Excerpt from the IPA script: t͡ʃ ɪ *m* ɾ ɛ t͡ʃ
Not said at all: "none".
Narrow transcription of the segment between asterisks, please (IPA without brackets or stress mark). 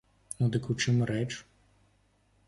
m